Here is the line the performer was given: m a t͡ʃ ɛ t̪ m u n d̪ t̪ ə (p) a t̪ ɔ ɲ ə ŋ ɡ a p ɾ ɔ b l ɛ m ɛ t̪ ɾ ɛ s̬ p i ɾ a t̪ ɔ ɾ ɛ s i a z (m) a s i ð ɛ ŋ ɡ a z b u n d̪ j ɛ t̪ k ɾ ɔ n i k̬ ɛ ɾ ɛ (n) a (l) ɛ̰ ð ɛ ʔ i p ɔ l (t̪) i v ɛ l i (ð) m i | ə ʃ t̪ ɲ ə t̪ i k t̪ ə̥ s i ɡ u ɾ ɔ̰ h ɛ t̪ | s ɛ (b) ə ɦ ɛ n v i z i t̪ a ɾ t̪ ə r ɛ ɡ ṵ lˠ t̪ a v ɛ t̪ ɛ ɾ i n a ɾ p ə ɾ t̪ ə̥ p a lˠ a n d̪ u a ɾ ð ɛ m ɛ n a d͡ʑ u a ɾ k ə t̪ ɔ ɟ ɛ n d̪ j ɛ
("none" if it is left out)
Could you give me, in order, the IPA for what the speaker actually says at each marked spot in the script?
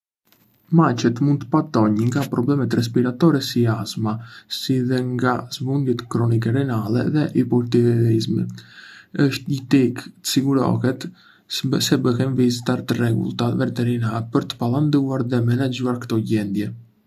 p, m, n, l, t̪, z, b

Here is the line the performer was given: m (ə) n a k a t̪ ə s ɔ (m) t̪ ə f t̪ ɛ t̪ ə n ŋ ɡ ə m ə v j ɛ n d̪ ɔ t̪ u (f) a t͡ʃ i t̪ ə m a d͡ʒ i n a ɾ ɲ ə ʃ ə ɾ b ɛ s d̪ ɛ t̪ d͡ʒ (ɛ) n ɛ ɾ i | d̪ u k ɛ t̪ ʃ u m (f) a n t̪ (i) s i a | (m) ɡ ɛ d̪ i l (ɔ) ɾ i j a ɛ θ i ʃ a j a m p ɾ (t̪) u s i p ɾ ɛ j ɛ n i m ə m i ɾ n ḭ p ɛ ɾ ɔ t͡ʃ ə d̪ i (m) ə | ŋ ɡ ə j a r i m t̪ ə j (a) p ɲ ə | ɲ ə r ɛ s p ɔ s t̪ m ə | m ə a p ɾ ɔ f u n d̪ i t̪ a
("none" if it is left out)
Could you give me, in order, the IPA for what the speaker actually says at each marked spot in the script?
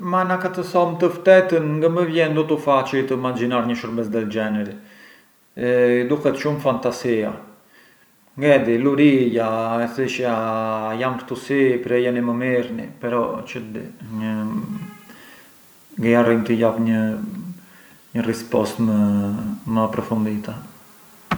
a, m, f, ɛ, f, a, ŋ, u, t̪, ɲ, a

